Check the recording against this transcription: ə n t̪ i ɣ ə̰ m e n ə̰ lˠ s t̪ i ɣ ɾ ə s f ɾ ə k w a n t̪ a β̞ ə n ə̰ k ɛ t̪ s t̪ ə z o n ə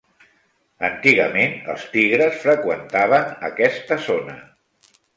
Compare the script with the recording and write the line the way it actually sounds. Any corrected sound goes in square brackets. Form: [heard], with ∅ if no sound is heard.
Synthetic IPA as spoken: ə n t̪ i ɣ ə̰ m e n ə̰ lˠ s t̪ i ɣ ɾ ə s f ɾ ə k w [ə] n t̪ a β̞ ə n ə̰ k ɛ [∅] s t̪ ə z o n ə

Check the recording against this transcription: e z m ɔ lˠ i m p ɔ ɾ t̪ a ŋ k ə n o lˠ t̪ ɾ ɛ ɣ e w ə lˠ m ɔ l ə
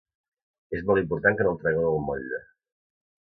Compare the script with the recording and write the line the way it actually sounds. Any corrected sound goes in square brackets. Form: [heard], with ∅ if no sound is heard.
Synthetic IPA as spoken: e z m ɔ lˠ i m p [u] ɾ t̪ a ŋ k ə n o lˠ t̪ ɾ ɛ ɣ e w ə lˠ m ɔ [ʎ] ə

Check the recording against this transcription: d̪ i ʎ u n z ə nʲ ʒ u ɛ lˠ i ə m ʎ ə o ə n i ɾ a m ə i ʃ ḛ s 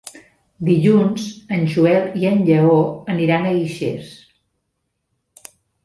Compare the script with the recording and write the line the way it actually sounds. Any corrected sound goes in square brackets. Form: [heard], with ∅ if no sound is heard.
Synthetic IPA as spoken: d̪ i ʎ u n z ə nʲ ʒ u ɛ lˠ i ə [n] ʎ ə o ə n i ɾ a [n] ə i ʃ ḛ s

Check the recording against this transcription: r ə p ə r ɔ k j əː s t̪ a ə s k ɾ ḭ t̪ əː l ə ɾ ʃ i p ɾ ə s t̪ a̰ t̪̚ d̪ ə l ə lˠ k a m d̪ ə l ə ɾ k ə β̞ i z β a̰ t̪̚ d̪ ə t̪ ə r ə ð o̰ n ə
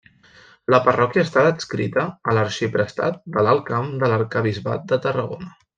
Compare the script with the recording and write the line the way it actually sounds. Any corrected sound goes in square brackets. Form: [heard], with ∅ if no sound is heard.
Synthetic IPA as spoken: [l] ə p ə r ɔ k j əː s t̪ a ə s k ɾ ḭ t̪ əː l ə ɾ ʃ i p ɾ ə s t̪ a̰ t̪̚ d̪ ə l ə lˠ k a m d̪ ə l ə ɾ k ə β̞ i z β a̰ t̪̚ d̪ ə t̪ ə r ə [ɣ] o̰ n ə

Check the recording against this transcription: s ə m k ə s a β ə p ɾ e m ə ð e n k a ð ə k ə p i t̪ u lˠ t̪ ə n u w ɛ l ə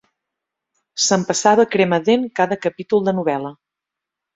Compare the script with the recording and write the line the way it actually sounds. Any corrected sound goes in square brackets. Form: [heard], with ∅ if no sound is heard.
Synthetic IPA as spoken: s ə m [p] ə s a β ə [k] ɾ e m ə ð e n k a ð ə k ə p i t̪ u lˠ [d̪] ə n u [β] ɛ l ə

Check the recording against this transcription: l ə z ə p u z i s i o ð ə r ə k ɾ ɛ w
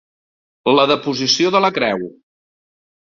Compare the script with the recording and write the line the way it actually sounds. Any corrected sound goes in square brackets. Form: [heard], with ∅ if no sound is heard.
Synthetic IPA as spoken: l ə [ð] ə p u z i s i o ð ə [l] ə k ɾ ɛ w

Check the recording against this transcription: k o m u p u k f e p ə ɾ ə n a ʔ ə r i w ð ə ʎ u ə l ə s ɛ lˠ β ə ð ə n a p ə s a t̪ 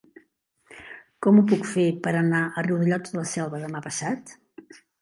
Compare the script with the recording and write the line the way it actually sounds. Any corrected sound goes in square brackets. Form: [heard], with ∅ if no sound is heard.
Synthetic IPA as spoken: k [ɔ] m u p u k f e p ə ɾ ə n a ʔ ə r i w ð ə ʎ [ɔ] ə l ə s ɛ lˠ β ə ð ə [m] a p ə s a t̪

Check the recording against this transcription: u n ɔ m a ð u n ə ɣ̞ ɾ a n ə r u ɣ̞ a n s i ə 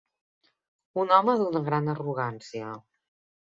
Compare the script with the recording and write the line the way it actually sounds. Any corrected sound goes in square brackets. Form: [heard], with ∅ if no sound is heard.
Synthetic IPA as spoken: u n ɔ m [ə] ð u n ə ɣ̞ ɾ a n ə r u ɣ̞ a n s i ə

